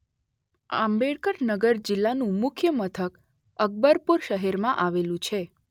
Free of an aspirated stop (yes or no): no